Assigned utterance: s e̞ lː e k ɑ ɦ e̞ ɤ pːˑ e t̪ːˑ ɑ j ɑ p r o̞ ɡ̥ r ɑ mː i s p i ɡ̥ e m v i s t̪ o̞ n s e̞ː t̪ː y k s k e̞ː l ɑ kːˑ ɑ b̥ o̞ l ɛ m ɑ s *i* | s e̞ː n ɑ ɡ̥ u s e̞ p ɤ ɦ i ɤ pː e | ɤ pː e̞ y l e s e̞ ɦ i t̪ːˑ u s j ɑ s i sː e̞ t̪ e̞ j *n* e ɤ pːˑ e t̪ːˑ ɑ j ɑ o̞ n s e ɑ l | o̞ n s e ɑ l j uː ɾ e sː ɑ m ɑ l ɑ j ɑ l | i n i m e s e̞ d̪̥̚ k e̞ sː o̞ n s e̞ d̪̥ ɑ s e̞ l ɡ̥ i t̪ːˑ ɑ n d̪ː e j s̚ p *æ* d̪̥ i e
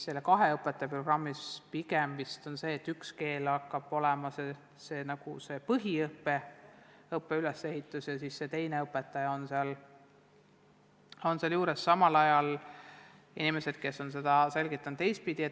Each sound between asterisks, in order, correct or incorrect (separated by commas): incorrect, correct, incorrect